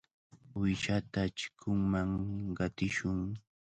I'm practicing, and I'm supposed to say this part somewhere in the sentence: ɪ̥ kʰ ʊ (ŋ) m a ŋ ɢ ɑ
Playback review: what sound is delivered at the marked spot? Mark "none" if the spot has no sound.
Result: ŋ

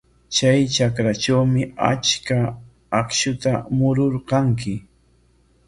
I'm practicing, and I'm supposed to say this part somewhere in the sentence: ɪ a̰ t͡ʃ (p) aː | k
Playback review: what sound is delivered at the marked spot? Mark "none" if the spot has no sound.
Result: k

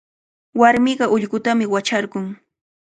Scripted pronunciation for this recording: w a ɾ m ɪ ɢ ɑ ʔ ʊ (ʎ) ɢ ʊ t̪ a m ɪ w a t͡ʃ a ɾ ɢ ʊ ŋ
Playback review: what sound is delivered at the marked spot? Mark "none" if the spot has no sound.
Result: ʎ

